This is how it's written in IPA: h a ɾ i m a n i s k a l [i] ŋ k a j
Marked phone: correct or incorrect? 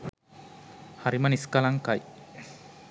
incorrect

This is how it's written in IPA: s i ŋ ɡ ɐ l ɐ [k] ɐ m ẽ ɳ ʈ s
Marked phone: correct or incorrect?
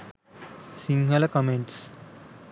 correct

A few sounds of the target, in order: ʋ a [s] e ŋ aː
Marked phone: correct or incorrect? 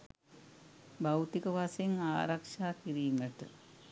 correct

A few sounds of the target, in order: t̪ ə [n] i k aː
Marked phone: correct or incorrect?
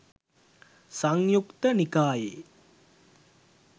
correct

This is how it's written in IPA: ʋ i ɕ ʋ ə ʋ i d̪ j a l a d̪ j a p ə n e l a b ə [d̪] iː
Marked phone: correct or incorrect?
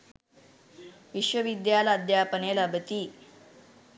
incorrect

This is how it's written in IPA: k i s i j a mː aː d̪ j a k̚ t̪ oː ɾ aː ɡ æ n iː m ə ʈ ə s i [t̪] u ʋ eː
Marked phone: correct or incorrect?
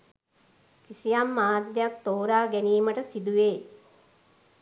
incorrect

